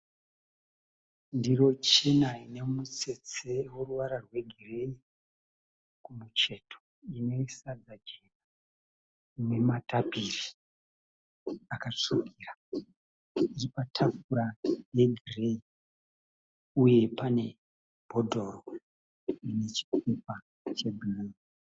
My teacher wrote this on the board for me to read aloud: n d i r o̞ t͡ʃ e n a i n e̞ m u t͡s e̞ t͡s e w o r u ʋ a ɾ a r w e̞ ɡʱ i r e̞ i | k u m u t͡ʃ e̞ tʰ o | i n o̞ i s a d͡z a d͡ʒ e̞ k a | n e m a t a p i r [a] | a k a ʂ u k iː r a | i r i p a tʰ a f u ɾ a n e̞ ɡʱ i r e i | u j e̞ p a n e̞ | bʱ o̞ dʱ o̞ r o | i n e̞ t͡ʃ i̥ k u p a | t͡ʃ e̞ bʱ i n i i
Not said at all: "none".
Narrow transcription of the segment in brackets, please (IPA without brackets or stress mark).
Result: i